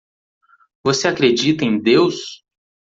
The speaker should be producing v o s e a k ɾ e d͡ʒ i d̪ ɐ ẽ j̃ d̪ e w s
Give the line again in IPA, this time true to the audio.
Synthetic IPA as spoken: v o s e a k ɾ e d͡ʒ i t̪ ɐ ẽ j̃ d̪ e w s